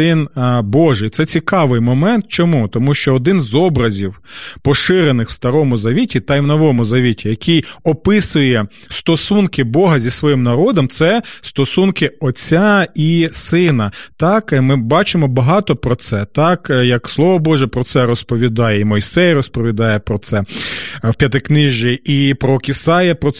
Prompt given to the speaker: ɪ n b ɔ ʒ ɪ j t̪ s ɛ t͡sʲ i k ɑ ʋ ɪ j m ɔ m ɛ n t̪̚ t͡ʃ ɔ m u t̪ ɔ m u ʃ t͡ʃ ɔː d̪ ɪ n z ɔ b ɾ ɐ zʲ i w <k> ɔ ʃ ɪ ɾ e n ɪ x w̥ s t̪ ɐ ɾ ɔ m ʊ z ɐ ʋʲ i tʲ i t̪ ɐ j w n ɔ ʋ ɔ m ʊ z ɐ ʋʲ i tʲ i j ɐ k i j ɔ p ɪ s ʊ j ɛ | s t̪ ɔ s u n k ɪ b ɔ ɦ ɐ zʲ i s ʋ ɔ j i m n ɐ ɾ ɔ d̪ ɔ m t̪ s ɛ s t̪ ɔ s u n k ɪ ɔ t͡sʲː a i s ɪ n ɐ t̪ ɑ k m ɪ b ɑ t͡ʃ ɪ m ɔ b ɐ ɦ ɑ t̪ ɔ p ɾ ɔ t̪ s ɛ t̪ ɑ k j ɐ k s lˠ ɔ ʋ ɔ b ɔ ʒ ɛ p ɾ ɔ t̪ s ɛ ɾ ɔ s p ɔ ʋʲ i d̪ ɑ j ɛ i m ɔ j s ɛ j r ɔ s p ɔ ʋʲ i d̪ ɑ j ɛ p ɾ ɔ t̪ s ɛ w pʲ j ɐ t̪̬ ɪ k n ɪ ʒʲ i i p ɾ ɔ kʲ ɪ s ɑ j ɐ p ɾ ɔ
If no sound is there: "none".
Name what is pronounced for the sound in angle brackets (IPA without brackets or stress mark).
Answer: p